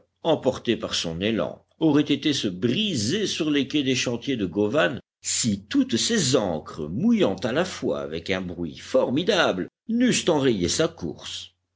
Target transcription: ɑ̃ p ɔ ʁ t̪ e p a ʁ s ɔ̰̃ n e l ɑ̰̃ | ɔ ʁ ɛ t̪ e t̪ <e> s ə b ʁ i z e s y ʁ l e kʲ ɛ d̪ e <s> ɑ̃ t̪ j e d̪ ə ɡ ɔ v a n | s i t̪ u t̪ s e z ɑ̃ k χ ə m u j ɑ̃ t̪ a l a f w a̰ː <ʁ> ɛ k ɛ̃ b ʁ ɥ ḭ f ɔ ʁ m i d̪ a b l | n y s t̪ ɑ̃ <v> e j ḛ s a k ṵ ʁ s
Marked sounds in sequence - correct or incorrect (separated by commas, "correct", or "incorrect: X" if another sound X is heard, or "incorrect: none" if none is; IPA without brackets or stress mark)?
correct, incorrect: ʃ, incorrect: v, incorrect: ʁ